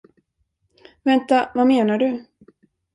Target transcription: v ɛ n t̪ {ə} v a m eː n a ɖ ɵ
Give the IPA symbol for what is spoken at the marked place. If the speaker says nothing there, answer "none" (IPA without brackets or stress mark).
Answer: a